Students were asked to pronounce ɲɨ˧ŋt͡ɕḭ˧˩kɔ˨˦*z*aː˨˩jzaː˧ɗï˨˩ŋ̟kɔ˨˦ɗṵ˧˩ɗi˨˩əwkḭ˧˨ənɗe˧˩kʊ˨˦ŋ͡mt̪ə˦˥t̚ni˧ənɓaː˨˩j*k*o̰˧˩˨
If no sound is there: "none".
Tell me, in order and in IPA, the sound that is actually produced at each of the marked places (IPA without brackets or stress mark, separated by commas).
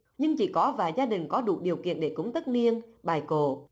v, k